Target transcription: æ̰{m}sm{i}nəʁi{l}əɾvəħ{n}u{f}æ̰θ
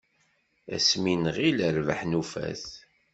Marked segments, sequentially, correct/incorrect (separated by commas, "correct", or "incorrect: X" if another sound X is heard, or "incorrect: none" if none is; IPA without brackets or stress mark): incorrect: none, correct, correct, correct, correct